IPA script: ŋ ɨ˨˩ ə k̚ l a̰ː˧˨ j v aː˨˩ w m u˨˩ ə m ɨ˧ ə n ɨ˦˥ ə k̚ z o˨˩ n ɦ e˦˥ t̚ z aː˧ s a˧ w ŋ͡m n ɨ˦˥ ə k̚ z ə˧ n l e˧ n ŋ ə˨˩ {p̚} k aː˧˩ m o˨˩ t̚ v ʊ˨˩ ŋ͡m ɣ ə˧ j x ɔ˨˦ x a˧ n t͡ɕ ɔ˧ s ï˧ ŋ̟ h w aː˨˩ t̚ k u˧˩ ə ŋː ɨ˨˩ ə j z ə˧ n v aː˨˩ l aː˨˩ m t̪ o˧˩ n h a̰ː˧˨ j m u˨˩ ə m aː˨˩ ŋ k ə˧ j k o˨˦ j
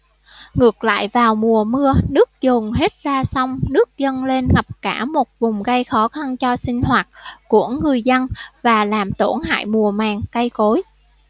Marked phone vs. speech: correct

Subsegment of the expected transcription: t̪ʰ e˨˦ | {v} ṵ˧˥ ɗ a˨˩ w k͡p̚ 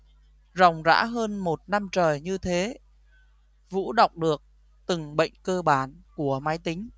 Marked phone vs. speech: correct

